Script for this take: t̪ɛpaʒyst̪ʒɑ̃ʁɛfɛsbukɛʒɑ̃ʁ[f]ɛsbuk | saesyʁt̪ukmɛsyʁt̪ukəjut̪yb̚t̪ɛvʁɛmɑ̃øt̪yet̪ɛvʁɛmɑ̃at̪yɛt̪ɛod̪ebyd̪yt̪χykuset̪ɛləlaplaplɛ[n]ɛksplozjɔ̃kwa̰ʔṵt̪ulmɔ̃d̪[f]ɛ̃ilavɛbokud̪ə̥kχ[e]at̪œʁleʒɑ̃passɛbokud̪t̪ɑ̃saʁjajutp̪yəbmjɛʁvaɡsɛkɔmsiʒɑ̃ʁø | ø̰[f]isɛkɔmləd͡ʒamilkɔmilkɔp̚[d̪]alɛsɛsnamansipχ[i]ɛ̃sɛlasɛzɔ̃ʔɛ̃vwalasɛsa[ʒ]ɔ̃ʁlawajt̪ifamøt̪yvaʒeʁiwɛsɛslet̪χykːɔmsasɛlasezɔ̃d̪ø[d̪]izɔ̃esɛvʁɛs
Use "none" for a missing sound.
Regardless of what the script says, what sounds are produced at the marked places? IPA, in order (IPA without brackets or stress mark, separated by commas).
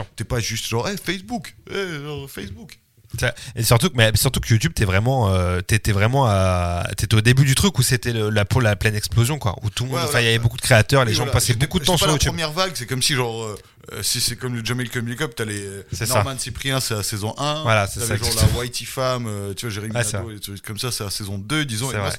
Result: f, n, f, e, s, t̪, i, ʒ, d̪